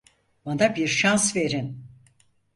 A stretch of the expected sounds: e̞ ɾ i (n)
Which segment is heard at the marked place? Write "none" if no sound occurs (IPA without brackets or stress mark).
n